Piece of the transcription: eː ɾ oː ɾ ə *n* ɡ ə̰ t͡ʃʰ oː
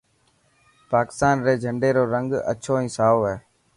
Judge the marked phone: incorrect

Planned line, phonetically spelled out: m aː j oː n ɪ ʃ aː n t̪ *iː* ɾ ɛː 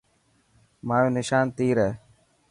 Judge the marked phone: correct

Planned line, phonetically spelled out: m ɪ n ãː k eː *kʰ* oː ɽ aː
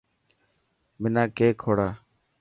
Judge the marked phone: correct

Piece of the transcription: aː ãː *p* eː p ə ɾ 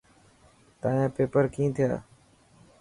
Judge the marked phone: correct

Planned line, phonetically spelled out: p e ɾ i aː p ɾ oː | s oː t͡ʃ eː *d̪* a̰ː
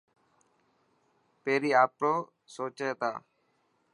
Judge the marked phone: incorrect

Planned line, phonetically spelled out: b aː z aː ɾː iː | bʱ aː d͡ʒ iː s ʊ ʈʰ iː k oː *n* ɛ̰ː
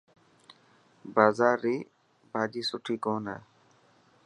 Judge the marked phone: correct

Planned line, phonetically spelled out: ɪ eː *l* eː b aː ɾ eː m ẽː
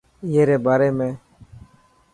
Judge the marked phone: incorrect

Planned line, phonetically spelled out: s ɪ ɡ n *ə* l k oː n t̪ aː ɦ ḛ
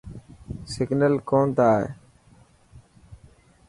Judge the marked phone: correct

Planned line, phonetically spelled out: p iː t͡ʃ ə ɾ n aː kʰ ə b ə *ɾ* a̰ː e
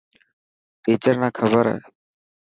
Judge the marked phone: correct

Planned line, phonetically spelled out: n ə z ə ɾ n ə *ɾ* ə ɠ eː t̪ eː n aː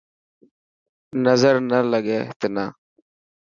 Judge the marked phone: incorrect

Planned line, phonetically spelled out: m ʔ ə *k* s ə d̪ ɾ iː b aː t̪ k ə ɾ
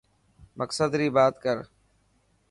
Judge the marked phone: correct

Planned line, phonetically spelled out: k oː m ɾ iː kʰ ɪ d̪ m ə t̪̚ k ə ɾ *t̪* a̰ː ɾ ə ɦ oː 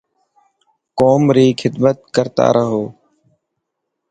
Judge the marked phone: correct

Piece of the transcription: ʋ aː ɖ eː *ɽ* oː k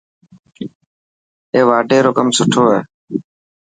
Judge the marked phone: incorrect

